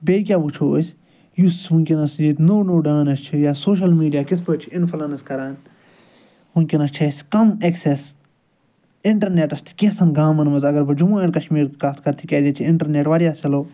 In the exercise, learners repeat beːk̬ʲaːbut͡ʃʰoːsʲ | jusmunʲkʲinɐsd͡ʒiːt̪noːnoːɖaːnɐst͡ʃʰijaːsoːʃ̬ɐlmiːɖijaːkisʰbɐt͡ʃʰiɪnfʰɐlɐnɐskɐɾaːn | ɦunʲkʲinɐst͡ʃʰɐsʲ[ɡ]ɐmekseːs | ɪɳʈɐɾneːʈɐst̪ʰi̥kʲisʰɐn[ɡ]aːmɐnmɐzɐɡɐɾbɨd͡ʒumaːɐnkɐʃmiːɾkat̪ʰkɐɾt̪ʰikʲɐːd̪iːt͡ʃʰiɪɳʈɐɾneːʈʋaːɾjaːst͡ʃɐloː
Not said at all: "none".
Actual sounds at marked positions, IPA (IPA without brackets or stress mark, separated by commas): k, ɡ